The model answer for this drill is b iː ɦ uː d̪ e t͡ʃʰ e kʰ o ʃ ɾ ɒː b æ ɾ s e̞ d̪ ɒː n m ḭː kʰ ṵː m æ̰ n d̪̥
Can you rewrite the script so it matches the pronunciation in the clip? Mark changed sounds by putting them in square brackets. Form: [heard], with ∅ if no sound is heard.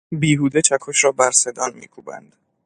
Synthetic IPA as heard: b iː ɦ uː d̪ e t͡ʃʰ [æ] kʰ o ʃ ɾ ɒː b æ ɾ s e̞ d̪ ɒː n m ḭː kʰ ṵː [b] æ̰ n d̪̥